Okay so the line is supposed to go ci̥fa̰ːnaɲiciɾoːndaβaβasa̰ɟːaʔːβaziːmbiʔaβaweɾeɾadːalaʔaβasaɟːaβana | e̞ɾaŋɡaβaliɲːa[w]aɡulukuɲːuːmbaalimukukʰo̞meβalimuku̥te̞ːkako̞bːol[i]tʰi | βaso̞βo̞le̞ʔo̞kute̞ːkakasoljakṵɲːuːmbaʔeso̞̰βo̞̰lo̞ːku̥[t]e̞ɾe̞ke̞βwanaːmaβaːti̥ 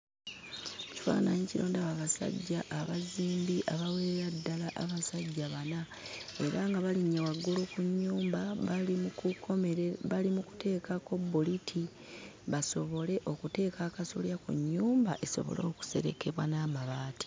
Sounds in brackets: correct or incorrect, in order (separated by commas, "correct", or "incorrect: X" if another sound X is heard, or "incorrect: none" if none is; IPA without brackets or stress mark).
correct, correct, incorrect: s